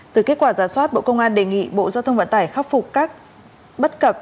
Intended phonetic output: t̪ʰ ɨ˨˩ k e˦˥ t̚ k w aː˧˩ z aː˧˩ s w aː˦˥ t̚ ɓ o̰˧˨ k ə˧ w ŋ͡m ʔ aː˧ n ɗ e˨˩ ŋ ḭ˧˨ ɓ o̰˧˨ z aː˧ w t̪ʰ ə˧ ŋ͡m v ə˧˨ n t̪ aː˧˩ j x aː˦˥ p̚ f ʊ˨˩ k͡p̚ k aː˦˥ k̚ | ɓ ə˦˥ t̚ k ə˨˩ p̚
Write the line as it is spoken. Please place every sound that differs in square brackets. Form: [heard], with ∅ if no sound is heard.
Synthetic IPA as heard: [t̪] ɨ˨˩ k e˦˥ t̚ k w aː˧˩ z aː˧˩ s w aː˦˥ t̚ ɓ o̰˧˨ k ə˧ w ŋ͡m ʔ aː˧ n ɗ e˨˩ ŋ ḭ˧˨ ɓ o̰˧˨ z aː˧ w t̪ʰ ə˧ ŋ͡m v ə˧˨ n t̪ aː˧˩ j x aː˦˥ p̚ f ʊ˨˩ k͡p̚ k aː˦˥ k̚ | ɓ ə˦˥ t̚ k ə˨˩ p̚